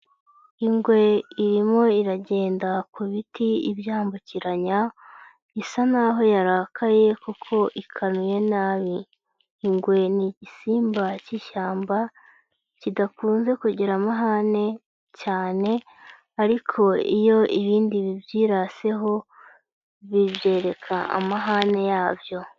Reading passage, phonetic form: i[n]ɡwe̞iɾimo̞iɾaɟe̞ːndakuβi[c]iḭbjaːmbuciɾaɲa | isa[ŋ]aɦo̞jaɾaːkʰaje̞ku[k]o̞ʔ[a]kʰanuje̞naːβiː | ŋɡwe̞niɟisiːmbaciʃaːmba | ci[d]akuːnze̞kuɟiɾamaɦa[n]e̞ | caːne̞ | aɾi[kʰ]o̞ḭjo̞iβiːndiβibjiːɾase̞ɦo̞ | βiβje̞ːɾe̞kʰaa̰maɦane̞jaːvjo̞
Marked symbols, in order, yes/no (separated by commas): no, no, no, no, no, yes, yes, yes